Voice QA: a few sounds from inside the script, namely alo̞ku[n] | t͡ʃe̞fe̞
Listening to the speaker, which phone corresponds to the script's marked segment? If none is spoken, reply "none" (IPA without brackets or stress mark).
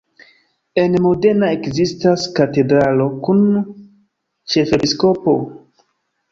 n